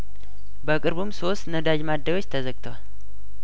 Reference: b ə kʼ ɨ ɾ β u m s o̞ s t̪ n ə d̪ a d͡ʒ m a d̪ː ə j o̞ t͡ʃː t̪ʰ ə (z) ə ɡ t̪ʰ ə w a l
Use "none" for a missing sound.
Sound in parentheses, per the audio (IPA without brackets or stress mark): z